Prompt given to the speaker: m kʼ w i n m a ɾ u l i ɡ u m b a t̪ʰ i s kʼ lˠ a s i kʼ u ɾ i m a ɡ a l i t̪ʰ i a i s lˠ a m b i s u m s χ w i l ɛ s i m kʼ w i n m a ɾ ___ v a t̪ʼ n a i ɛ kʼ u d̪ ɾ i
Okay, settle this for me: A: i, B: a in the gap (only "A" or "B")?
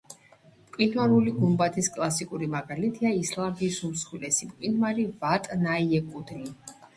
A